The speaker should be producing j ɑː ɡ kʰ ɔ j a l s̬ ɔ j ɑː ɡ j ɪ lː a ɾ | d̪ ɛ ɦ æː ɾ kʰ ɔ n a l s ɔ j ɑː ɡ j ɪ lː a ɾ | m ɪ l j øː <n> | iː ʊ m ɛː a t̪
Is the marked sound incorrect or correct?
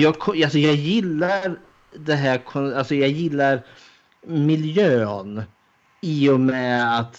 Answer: correct